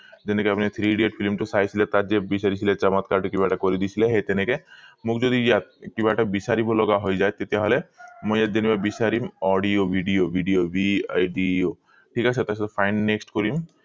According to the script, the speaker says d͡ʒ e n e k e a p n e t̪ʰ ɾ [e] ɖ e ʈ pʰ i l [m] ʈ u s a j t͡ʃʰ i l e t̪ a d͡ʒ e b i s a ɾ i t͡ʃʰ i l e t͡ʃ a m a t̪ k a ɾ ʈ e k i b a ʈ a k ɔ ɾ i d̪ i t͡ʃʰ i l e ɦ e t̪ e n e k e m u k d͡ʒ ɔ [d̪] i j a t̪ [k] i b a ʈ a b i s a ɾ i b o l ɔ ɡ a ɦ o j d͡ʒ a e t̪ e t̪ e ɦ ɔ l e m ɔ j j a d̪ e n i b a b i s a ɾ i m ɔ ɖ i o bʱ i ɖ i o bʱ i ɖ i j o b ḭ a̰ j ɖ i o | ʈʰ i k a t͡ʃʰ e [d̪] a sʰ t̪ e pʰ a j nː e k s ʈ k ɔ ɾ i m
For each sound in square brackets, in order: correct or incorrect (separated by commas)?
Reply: incorrect, correct, correct, correct, incorrect